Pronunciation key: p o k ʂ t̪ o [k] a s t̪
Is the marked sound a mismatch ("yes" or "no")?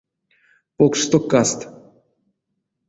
no